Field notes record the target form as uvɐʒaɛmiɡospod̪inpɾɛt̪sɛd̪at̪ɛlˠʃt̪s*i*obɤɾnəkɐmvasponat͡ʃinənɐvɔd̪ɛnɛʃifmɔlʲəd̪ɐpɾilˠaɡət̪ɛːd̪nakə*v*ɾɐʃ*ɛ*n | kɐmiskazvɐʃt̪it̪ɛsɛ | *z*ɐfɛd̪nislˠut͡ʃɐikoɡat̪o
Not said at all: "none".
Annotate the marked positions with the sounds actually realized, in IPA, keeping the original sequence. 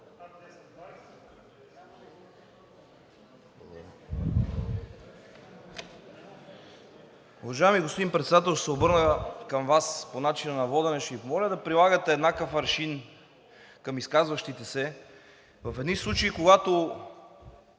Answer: ɛ, f, i, v

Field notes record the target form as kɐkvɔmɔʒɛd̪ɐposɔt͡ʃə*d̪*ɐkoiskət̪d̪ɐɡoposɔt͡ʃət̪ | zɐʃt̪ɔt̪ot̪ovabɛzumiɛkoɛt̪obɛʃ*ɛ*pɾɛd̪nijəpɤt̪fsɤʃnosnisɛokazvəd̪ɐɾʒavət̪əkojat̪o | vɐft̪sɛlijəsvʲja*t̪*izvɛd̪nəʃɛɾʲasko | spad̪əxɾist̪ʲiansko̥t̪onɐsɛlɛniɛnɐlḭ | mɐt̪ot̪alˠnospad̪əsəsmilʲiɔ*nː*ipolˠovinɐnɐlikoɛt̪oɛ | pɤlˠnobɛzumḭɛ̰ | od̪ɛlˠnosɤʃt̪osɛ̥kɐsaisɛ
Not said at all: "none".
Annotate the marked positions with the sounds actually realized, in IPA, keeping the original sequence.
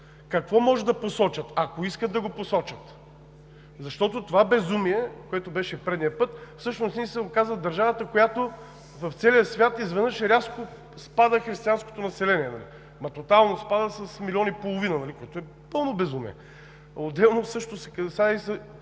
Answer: t̪, ɛ, t̪, n

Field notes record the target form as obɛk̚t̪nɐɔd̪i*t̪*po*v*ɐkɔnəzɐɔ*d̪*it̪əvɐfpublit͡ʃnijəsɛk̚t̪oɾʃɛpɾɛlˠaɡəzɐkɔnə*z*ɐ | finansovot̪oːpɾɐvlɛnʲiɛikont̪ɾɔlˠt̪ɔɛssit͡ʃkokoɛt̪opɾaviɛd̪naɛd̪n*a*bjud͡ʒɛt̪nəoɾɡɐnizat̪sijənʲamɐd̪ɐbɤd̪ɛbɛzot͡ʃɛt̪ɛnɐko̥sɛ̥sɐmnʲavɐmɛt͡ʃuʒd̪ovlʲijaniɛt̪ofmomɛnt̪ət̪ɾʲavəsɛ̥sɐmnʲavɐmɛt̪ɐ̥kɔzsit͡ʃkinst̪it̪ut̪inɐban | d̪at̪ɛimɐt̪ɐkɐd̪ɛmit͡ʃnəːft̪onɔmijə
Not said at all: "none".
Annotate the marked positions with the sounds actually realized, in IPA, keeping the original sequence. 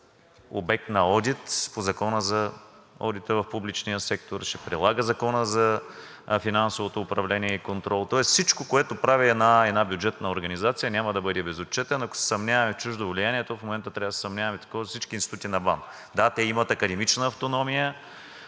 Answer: t̪, z, d̪, z, a

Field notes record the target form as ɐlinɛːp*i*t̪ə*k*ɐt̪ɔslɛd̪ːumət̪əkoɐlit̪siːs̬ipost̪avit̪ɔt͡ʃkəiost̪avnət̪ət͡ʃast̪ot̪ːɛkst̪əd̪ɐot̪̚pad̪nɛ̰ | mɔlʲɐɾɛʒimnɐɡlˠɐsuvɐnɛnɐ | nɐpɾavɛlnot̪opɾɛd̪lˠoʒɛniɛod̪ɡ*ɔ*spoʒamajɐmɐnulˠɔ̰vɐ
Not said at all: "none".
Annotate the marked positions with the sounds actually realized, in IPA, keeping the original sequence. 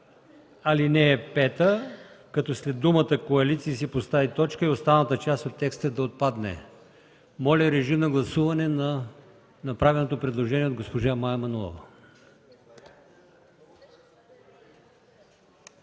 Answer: ɛ, k, o

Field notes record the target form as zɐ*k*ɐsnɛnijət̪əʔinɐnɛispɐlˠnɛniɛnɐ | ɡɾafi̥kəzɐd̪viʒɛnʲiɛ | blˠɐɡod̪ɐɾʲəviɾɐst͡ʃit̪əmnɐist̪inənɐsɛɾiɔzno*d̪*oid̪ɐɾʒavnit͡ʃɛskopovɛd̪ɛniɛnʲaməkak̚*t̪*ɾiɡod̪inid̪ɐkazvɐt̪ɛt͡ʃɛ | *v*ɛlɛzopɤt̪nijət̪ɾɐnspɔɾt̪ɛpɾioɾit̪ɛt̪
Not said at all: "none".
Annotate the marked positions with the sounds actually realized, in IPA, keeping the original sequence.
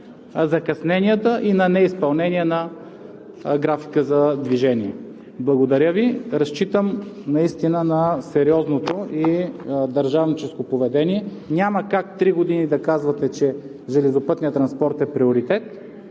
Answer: k, t̪, t̪, ʒ

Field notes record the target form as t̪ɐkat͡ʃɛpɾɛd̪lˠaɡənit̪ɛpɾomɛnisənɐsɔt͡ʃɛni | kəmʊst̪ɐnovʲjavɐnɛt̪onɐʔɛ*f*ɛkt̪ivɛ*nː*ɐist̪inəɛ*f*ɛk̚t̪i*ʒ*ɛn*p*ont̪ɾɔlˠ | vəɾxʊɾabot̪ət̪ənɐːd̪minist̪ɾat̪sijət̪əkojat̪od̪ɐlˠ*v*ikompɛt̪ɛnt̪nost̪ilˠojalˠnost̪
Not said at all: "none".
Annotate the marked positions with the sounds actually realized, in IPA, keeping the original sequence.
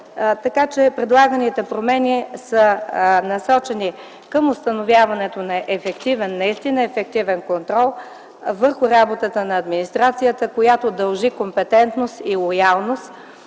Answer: f, nː, f, v, k, ʒ

